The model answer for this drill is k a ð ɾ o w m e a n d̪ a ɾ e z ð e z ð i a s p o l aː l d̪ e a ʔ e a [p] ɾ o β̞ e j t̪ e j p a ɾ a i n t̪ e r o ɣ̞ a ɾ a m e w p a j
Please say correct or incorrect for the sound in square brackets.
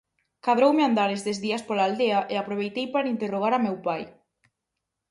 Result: correct